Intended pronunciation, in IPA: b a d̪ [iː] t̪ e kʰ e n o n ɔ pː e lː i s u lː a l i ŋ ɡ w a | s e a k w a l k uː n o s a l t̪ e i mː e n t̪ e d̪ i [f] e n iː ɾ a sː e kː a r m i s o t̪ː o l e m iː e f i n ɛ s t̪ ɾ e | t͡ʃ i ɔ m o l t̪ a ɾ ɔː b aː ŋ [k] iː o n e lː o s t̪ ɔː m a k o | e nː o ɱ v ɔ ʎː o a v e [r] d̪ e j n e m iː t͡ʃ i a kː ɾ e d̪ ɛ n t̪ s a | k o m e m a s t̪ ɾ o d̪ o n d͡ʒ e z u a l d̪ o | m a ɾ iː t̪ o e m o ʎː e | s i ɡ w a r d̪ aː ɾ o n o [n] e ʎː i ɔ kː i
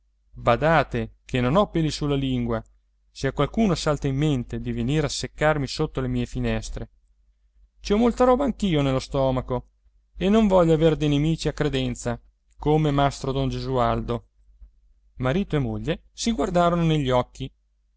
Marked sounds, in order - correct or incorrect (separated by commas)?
incorrect, incorrect, correct, correct, correct